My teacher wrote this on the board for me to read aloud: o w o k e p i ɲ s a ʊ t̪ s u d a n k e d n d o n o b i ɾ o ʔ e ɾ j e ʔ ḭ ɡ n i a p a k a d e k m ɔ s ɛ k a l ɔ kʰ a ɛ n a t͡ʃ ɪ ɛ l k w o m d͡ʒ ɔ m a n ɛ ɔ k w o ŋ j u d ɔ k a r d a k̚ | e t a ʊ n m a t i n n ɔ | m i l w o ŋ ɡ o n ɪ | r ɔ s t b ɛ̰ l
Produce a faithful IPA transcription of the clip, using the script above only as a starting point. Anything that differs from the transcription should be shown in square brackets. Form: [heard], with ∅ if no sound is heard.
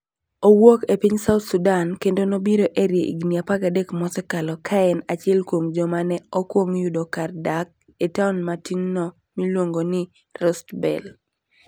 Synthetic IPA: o w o k e p i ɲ s a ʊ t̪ s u d a n k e [∅] n d o n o b i ɾ o ʔ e ɾ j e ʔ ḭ ɡ n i a p a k a d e k m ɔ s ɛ k a l ɔ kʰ a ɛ n a t͡ʃ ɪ ɛ l k w o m d͡ʒ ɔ m a n ɛ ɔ k w o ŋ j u d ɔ k a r d a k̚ | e t a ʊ n m a t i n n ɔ | m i l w o ŋ ɡ o n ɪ | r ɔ s t b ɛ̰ l